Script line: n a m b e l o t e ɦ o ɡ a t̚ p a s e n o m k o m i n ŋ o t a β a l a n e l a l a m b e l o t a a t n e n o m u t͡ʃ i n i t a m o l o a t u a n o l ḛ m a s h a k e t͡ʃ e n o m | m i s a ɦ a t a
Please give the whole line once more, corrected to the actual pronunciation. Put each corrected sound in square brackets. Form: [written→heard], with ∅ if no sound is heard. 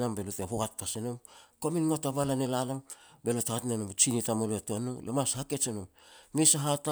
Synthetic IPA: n a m b e l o t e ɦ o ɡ a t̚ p a s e n o m k o m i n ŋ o t a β a l a n e l a l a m b e l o t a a t n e n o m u t͡ʃ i n i t a m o l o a t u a n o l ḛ m a s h a k e t͡ʃ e n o m | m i s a ɦ a t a

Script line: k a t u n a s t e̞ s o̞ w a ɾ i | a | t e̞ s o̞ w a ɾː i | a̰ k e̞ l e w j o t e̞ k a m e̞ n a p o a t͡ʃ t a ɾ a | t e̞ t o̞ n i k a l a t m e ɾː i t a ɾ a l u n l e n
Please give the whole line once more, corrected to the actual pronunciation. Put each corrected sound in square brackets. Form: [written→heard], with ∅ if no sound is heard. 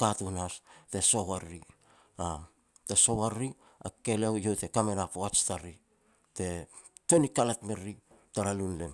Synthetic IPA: k a t u n a s t e̞ s o̞ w a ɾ i | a | t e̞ s o̞ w a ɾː i | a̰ k e̞ l e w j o t e̞ k a m e̞ n a p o a t͡ʃ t a ɾ [a→i] | t e̞ t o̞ n i k a l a t m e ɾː i t a ɾ a l u n l e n

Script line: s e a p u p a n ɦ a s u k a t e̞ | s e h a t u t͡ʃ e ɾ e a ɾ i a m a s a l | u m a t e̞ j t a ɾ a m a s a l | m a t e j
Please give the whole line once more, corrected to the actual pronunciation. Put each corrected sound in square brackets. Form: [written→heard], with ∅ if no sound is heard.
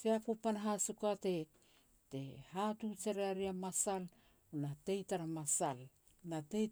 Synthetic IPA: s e a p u p a n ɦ a s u k a t e̞ | [s→t] e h a t u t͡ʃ e ɾ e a ɾ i a m a s a l | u [m→n] a t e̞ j t a ɾ a m a s a l | [m→n] a t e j

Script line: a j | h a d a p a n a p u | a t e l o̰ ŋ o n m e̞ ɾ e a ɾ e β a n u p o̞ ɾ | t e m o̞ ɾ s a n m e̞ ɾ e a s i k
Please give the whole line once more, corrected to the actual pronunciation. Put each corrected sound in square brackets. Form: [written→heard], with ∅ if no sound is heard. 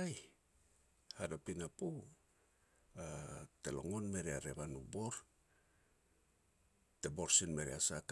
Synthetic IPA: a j | h a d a p [a→i] n a p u | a t e l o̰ ŋ o n m e̞ ɾ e a ɾ e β a n u [p→b] o̞ ɾ | t e [m→b] o̞ ɾ s [a→i] n m e̞ ɾ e a s [i→a] k

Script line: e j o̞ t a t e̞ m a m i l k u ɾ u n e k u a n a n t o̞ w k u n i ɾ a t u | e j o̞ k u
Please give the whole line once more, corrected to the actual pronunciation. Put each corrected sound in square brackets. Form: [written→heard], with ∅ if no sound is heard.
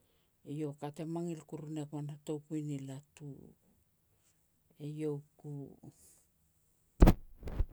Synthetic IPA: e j o̞ [t→k] a t e̞ m a [m→ŋ] i l k u ɾ u n e k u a n a [n→∅] t o̞ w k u n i [ɾ→l] a t u | e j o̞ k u

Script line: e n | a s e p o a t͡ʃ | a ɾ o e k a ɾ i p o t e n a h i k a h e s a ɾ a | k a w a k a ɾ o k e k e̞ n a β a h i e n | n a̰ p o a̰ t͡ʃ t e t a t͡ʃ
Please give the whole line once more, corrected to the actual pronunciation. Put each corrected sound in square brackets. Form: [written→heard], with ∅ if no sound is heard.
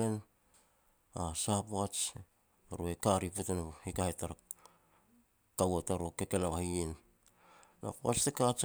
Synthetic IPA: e n | a s [e→a] p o a t͡ʃ | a ɾ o e k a ɾ i p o t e n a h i k a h e [s→t] a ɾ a | k a w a [k→t] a ɾ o k e k e̞ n a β a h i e n | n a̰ p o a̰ t͡ʃ t e [t→k] a t͡ʃ

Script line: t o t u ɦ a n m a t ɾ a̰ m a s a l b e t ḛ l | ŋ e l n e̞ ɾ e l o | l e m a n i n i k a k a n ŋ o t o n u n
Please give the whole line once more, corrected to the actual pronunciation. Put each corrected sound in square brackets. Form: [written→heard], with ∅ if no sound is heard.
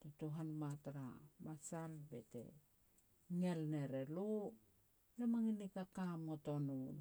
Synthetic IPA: t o t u ɦ a n m a t ɾ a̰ m a s a l b e t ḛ [l→∅] | ŋ e l n e̞ ɾ e l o | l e m a [n→ŋ] i n i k a k a [n→m] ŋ o t o n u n

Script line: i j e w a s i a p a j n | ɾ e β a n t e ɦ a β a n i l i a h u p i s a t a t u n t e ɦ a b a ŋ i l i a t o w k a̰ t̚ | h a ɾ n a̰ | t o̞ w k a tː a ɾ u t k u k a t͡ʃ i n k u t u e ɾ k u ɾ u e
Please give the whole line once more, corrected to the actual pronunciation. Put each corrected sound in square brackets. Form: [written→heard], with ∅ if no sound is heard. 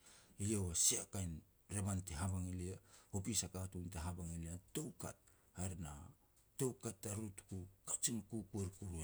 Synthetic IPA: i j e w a s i a [p→k] a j n | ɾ e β a n t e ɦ a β a [n→ŋ] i l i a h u p i s a [t→k] a t u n t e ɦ a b a ŋ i l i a t o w k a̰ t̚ | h a ɾ n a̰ | t o̞ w k a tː a ɾ u t k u k a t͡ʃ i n k u [t→k] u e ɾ k u ɾ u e

